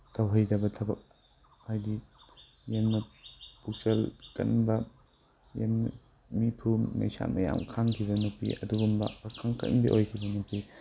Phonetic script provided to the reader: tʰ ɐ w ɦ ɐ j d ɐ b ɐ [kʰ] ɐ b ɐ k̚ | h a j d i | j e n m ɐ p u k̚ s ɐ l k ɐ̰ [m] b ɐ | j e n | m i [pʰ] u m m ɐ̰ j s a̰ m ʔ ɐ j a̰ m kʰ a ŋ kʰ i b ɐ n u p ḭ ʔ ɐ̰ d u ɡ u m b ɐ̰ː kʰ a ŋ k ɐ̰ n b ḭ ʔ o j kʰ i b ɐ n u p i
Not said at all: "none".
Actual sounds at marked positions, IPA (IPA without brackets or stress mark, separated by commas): tʰ, n, pʰ